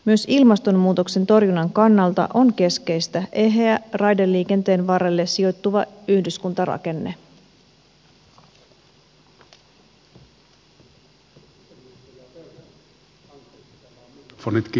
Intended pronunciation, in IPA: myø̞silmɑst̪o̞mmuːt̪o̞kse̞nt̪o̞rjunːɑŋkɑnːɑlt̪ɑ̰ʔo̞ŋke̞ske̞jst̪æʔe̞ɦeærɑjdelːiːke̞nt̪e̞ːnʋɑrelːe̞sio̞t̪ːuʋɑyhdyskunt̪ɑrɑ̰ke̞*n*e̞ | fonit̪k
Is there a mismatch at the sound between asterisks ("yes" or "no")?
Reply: yes